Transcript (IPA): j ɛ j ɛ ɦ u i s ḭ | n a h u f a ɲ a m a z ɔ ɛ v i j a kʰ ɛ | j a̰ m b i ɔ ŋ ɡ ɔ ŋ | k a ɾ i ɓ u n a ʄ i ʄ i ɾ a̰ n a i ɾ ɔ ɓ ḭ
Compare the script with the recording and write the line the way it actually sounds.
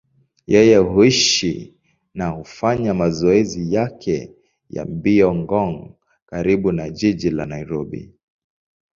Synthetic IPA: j ɛ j ɛ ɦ u i ʃ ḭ | n a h u f a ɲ a m a z ɔ ɛ z i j a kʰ ɛ | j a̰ m b i ɔ ŋ ɡ ɔ ŋ | k a ɾ i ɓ u n a ʄ i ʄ i l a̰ n a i ɾ ɔ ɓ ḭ